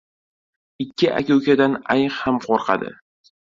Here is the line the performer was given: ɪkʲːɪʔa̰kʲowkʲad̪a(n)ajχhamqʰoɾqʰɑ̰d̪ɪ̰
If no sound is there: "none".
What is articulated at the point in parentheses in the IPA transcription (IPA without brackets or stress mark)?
n